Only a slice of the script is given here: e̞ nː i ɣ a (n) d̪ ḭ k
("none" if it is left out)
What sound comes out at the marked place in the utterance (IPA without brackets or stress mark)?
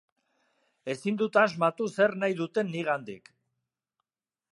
n